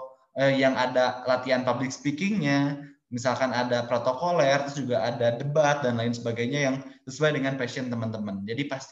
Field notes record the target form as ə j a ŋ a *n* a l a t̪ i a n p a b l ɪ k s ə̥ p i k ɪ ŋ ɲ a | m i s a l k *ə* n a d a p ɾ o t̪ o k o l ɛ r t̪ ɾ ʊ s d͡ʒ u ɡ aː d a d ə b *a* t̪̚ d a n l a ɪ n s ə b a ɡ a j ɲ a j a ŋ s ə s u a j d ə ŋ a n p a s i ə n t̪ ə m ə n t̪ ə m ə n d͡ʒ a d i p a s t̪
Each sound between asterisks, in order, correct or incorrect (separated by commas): incorrect, incorrect, correct